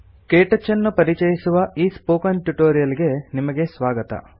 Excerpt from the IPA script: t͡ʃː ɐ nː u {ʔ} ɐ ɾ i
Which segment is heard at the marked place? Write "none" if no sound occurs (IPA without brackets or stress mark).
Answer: p